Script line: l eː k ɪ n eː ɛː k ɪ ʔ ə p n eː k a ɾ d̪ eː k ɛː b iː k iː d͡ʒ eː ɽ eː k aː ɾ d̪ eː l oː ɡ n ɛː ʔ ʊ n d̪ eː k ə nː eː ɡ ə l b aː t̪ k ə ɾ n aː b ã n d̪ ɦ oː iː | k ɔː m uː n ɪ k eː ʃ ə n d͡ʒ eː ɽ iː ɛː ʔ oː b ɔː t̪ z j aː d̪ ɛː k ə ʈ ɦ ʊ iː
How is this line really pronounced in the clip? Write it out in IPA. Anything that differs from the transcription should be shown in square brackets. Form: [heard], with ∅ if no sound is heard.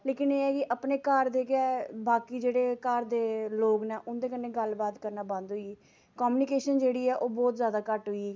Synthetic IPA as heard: l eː k ɪ n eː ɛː k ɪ ʔ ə p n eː k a ɾ d̪ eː k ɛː b [aː] k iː d͡ʒ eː ɽ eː k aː ɾ d̪ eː l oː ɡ n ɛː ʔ ʊ n d̪ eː k ə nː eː ɡ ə l b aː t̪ k ə ɾ n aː b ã n d̪ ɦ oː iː | k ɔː m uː n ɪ k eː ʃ ə n d͡ʒ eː ɽ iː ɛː ʔ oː b ɔː t̪ z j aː d̪ [aː] k ə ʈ ɦ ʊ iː